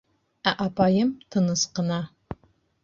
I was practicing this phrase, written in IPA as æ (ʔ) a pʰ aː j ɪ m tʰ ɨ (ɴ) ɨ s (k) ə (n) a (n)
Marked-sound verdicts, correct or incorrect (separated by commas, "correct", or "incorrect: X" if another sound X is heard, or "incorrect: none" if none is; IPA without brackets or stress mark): correct, incorrect: n, incorrect: q, correct, incorrect: none